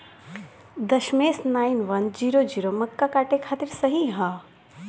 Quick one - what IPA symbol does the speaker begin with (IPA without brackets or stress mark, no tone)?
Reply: d̪